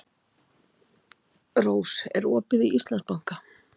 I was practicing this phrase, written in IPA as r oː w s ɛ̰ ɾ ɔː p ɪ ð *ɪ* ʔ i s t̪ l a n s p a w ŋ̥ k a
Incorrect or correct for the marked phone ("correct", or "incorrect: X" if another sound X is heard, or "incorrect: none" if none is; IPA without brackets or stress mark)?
incorrect: i